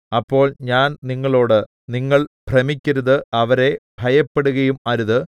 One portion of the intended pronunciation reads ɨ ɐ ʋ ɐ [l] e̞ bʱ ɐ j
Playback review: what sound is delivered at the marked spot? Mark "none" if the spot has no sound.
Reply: ɾ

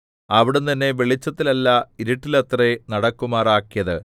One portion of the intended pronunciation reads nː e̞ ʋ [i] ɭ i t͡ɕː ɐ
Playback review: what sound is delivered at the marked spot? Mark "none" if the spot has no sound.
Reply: e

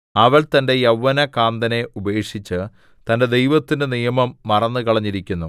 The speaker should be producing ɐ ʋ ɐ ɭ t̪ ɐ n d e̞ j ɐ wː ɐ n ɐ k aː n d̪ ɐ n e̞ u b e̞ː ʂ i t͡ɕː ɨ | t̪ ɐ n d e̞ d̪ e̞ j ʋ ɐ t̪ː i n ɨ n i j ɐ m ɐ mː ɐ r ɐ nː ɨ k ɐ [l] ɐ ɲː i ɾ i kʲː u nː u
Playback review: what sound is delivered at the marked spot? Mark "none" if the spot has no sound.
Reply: ɭ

